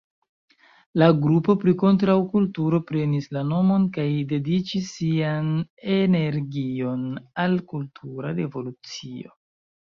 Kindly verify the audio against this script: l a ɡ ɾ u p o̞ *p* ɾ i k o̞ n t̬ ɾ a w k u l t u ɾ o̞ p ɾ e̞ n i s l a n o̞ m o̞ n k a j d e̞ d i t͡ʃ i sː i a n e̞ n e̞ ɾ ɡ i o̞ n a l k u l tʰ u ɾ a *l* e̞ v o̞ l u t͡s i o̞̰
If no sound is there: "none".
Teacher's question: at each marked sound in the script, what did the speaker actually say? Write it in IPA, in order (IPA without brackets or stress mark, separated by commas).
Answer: p, ɾ